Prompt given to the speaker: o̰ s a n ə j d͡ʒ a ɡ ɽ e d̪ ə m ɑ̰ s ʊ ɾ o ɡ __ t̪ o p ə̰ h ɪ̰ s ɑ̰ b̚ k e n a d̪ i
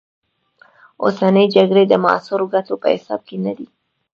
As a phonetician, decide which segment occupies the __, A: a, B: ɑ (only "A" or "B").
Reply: A